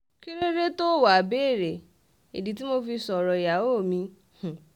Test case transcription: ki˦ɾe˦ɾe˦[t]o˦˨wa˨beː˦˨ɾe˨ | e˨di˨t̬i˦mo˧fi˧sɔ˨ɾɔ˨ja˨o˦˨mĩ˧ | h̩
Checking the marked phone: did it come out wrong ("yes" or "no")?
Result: no